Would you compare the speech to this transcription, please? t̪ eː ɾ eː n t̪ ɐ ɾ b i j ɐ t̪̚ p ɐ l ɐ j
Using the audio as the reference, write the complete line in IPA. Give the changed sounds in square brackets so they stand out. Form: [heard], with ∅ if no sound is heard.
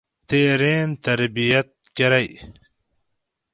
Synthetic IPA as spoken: t̪ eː ɾ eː n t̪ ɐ ɾ b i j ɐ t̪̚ [k] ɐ [ɾ] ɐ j